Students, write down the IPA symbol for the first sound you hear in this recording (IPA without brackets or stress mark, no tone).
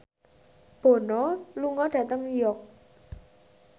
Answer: b̥